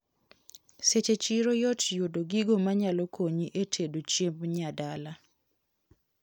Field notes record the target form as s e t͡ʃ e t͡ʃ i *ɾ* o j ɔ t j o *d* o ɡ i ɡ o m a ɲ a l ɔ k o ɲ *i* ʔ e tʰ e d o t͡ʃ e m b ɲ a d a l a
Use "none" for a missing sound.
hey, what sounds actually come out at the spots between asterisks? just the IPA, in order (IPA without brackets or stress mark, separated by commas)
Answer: ɾ, d, i